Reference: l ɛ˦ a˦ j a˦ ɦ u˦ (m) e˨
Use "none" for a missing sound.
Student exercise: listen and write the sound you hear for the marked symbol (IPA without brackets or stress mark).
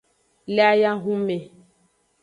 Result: m